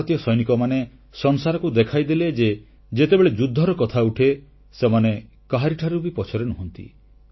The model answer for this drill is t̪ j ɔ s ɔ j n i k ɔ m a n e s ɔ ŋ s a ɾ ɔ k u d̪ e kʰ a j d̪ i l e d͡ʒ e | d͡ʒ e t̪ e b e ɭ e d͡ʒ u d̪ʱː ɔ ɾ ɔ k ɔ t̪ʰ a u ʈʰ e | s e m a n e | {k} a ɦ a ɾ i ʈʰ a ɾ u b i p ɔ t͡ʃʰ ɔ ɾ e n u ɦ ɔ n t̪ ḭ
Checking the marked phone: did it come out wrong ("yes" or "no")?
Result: no